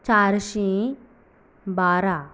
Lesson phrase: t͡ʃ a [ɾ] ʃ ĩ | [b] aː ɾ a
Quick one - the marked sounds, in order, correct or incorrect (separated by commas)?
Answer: correct, correct